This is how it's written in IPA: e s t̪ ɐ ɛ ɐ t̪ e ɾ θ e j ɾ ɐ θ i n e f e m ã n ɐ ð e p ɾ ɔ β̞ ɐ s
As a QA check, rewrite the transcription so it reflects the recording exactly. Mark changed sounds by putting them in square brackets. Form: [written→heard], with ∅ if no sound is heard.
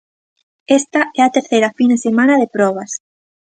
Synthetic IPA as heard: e s t̪ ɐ ɛ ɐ t̪ e ɾ θ e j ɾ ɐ [θ→f] i n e [f→s] e m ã n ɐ ð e p ɾ ɔ β̞ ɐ s